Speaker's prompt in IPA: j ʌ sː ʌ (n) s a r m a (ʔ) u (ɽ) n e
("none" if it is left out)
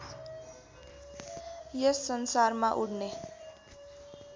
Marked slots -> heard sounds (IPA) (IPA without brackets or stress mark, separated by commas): n, ʔ, ɽ